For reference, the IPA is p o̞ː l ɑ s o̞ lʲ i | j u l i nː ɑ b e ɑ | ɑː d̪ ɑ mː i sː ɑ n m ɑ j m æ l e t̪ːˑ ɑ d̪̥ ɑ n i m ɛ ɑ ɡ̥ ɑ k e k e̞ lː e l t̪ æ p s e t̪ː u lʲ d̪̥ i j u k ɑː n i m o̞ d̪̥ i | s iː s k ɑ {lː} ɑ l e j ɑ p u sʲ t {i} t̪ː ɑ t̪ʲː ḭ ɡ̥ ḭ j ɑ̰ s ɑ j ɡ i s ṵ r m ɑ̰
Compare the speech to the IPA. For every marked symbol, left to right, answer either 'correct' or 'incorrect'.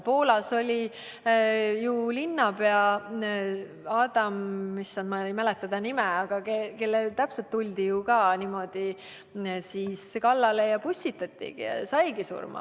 correct, correct

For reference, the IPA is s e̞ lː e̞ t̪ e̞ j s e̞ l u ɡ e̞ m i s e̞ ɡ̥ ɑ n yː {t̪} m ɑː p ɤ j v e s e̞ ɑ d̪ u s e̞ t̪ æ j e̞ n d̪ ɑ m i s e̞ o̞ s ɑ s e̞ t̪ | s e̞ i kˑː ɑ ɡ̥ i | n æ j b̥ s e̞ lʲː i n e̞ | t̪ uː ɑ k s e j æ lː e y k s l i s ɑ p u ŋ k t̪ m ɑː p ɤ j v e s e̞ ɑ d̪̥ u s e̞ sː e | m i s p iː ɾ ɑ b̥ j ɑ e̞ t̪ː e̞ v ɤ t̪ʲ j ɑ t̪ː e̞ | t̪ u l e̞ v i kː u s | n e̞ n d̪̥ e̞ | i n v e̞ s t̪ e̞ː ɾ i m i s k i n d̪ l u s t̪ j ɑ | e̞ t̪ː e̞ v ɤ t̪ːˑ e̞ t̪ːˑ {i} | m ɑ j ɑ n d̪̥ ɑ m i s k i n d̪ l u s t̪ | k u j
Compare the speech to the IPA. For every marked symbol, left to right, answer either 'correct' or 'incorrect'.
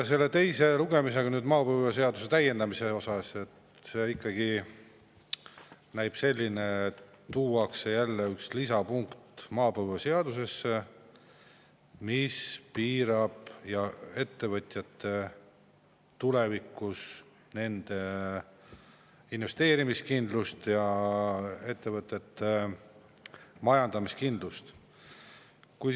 incorrect: d̪, incorrect: e

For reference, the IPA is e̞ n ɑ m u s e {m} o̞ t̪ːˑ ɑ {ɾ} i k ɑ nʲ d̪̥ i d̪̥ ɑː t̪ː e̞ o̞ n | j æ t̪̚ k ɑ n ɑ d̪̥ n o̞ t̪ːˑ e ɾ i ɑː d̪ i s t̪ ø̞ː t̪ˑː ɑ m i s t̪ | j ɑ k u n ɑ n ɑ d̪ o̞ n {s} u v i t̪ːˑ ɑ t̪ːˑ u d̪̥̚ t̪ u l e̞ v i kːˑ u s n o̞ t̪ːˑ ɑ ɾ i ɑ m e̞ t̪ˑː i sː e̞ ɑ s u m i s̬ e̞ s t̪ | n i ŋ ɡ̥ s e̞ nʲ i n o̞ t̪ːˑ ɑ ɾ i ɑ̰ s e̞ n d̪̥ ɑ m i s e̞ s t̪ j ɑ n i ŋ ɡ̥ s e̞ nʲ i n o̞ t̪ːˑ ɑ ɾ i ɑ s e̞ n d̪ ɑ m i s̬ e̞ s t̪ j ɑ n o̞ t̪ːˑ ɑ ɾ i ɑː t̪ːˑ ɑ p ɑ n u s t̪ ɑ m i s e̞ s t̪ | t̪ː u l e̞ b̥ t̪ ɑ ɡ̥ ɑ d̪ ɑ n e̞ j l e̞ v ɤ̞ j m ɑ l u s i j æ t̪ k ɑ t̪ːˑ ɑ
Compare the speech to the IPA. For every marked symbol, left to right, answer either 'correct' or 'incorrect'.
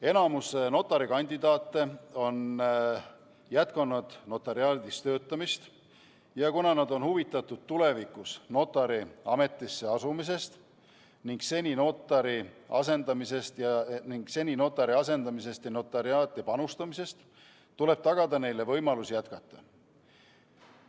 incorrect: n, correct, incorrect: h

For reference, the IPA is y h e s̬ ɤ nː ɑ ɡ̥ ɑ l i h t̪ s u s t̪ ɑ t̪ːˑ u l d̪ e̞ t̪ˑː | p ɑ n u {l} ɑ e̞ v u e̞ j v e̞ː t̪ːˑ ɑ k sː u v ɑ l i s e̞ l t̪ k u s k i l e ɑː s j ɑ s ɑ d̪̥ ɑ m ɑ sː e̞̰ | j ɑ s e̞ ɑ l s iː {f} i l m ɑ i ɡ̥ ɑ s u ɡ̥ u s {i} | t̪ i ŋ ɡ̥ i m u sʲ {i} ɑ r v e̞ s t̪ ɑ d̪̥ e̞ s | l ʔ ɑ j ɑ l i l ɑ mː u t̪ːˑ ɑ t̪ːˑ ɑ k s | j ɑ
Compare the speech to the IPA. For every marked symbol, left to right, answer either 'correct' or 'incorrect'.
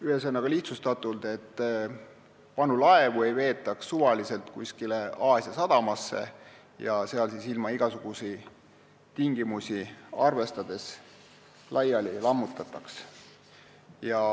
correct, incorrect: s, correct, correct

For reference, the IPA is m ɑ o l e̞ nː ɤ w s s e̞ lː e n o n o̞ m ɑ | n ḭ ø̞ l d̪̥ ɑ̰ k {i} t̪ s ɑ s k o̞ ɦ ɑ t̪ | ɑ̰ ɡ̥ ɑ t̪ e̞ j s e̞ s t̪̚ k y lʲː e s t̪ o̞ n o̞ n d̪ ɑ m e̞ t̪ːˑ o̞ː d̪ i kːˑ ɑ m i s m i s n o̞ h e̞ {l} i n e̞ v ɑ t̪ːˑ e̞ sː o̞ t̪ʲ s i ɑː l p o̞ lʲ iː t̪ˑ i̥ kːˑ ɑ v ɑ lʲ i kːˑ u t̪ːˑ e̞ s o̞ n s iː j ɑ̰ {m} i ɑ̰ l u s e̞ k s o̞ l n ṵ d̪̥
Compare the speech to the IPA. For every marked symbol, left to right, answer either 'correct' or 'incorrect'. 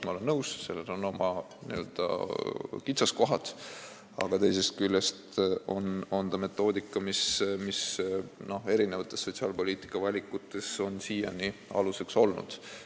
correct, incorrect: ɾ, incorrect: n

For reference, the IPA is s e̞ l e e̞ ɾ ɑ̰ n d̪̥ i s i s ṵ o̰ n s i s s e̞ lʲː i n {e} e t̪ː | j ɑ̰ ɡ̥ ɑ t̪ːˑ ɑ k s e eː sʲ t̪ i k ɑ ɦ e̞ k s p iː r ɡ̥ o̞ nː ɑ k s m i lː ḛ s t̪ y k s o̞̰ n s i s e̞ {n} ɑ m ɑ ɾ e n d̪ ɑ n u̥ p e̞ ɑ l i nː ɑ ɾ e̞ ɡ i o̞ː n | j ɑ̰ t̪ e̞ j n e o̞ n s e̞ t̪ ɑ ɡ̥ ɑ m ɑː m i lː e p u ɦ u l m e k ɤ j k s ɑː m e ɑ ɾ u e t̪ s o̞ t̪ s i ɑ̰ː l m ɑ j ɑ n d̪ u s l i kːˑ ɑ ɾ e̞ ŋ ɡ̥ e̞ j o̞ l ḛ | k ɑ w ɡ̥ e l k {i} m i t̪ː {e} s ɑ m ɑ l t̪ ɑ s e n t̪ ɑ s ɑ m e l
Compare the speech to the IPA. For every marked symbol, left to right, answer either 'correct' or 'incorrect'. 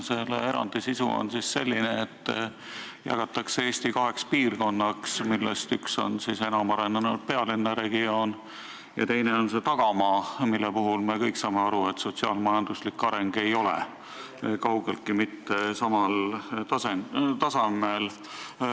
correct, correct, correct, correct

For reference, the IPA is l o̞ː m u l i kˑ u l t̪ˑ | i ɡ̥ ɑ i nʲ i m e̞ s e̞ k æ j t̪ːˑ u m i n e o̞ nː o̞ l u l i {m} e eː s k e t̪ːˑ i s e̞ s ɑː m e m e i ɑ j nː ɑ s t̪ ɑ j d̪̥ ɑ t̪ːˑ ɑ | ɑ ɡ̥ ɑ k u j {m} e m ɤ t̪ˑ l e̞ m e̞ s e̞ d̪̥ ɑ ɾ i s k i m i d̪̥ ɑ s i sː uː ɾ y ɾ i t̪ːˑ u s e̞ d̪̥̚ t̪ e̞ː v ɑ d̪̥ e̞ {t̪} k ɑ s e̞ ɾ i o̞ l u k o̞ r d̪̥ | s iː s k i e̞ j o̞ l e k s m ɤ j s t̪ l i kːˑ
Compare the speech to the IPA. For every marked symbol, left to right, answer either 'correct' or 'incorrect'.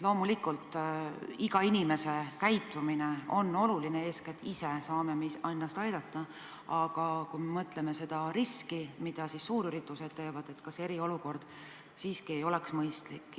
incorrect: n, correct, correct

